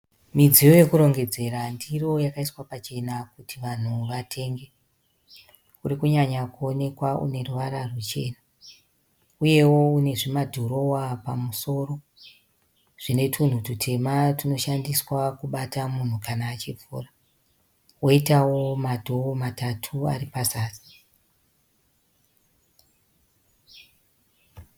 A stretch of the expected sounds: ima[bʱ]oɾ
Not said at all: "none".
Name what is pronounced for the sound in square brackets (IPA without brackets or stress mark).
dʱ